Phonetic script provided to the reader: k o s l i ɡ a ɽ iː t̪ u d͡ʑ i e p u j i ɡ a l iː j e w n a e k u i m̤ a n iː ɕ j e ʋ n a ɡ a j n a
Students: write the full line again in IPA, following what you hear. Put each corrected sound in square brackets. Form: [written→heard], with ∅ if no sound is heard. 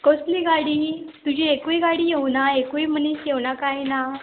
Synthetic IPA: k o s l i ɡ a ɽ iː t̪ u d͡ʑ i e [p→k] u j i ɡ a [l→ɽ] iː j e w n a e k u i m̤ [a→ə] n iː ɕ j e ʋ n a [ɡ→k] a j n a

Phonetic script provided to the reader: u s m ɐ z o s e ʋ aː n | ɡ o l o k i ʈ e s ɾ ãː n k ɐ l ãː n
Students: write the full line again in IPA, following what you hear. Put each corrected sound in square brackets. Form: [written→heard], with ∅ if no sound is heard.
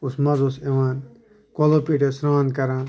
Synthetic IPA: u s m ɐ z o s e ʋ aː n | [ɡ→k] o l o [k→p] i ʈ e s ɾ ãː n k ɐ [l→ɾ] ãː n

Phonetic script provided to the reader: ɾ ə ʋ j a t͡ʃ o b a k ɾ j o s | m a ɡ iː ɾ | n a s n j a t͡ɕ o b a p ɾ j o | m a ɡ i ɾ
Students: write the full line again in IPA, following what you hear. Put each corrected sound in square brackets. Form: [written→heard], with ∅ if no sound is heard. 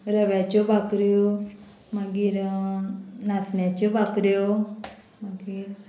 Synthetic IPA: ɾ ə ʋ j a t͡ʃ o b a k ɾ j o [s→∅] | m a ɡ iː ɾ | n a s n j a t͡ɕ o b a [p→k] ɾ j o | m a ɡ i ɾ

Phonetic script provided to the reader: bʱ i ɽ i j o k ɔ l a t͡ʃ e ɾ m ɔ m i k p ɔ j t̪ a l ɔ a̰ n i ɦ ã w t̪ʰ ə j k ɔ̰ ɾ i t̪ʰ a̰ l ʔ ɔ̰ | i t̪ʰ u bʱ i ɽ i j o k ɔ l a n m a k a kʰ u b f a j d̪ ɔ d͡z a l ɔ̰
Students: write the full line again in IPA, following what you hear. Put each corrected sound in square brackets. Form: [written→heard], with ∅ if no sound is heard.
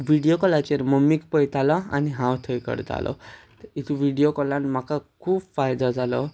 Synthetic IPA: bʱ i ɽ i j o k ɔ l a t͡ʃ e ɾ m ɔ m i k p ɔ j t̪ a l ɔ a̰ n i ɦ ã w t̪ʰ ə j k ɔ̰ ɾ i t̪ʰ a̰ l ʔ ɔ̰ | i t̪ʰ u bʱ i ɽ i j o k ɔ l a n m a k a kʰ u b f a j d̪ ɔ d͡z a l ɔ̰

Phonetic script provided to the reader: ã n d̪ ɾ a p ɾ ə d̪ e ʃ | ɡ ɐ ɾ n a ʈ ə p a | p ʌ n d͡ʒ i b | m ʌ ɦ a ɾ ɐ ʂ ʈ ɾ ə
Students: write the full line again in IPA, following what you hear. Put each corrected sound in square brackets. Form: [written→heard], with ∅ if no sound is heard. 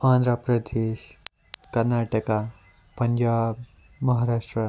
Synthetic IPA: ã n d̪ ɾ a p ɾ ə d̪ e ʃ | [ɡ→k] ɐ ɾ n a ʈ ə [p→k] a | p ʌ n d͡ʒ [i→a] b | m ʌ ɦ a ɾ [ɐ→a] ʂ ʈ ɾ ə

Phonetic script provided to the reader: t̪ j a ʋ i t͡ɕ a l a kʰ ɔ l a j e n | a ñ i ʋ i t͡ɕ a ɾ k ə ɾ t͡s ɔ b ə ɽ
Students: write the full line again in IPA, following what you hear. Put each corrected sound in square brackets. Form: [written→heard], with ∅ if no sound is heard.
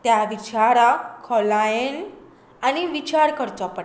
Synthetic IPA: t̪ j a ʋ i t͡ɕ a [l→ɾ] a kʰ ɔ l a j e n | a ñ i ʋ i t͡ɕ a ɾ k ə ɾ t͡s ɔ [b→p] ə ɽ

